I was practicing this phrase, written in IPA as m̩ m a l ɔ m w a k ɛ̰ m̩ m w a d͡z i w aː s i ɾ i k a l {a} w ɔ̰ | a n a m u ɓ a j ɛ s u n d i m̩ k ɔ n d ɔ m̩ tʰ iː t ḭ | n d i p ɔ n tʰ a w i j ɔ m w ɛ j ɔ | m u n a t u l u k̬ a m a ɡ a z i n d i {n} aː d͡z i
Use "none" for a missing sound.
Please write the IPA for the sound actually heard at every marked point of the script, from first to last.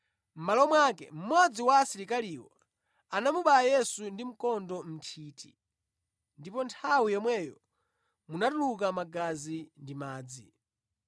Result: i, m

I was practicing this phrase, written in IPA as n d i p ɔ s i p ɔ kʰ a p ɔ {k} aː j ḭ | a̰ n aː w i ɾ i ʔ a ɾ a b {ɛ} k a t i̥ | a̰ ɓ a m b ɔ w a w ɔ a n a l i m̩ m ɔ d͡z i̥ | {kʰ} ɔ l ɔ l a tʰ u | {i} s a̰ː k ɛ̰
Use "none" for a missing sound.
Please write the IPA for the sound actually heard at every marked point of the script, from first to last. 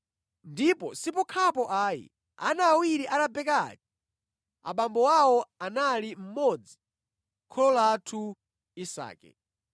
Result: ʔ, ɛ, kʰ, i

